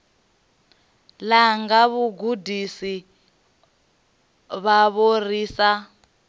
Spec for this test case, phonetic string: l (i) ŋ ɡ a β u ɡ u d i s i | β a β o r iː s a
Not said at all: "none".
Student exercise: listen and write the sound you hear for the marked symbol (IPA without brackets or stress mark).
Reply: a